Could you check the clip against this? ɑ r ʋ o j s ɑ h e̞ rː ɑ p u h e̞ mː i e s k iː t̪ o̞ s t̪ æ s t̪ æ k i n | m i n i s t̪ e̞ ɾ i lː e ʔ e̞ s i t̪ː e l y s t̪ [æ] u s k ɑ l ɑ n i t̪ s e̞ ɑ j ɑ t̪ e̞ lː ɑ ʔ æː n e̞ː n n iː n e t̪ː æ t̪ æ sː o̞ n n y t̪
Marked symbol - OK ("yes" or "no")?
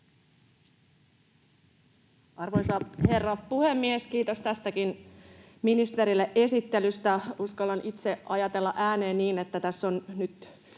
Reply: yes